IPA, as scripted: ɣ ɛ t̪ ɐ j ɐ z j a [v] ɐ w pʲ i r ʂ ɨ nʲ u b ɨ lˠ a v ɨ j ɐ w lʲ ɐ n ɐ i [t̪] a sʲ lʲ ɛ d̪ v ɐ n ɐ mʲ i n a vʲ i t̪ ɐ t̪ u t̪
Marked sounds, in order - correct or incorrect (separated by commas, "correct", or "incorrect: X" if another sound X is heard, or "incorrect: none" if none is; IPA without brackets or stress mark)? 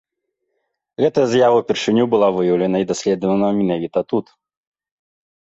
correct, incorrect: d̪